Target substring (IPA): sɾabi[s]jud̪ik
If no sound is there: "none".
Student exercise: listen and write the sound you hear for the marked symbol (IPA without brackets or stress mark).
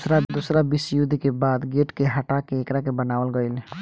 s